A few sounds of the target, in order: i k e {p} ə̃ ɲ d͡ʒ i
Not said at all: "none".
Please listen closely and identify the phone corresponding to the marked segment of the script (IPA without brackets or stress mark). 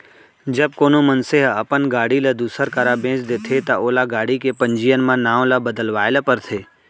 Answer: p